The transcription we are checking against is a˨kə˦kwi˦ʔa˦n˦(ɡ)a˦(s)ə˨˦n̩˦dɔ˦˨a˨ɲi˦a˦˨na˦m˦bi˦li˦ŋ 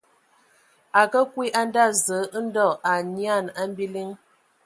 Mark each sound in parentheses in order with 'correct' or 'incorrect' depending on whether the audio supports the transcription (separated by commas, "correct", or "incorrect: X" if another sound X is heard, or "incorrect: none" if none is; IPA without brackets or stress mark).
incorrect: d, incorrect: z